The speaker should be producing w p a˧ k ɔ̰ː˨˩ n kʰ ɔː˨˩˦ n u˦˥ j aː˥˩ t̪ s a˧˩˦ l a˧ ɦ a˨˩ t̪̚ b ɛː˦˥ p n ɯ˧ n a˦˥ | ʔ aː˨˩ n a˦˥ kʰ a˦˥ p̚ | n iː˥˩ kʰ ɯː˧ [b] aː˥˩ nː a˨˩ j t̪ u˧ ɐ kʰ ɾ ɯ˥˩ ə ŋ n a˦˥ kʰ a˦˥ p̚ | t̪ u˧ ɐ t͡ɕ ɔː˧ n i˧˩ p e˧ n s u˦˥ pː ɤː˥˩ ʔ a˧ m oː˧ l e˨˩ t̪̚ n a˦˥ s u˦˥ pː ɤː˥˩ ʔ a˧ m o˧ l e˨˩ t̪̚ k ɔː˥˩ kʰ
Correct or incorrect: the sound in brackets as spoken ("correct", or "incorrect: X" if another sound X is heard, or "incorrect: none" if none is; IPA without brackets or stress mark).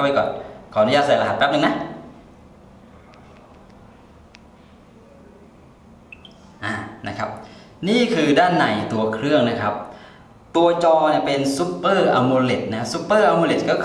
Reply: incorrect: d